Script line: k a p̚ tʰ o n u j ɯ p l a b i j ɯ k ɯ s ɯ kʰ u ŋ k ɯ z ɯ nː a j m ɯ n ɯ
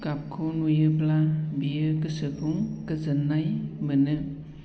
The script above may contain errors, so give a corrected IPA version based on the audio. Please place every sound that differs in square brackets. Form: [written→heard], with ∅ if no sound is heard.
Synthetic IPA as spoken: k a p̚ [tʰ→kʰ] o n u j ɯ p l a b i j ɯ k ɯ s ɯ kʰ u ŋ k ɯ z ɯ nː a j m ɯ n ɯ